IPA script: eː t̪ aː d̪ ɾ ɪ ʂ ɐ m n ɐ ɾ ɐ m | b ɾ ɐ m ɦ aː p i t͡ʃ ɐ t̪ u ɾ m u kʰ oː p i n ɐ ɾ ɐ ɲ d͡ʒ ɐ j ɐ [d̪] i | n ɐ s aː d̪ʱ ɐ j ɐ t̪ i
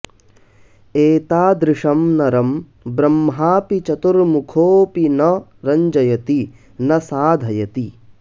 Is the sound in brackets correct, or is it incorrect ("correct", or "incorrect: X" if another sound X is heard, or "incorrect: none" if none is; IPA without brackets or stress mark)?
incorrect: t̪